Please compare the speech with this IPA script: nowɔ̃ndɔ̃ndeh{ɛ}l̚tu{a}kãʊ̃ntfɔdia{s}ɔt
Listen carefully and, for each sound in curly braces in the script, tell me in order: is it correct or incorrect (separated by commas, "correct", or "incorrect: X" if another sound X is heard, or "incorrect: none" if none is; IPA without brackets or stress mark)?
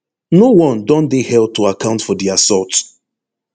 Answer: correct, correct, correct